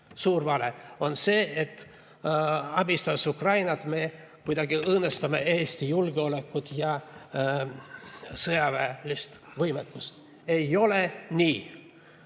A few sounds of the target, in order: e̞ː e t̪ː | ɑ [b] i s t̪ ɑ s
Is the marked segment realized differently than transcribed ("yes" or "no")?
no